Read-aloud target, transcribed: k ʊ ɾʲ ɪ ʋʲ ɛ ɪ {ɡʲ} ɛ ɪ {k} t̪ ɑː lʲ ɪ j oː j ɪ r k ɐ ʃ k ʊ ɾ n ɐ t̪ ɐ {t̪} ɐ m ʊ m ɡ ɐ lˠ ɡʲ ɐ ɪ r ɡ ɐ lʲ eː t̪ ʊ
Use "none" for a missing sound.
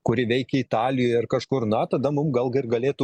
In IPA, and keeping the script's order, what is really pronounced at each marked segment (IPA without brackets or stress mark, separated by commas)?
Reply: kʲ, none, d̪